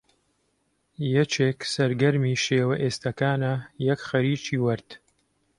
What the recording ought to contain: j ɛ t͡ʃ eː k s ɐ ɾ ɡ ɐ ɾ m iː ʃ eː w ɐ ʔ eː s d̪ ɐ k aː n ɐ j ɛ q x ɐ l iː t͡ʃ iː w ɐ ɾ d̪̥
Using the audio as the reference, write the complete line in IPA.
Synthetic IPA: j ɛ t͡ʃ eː k s ɐ ɾ ɡ ɐ ɾ m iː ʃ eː w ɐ ʔ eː s t̪ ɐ k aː n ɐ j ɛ k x ɐ ɾ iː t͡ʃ iː w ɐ ɾ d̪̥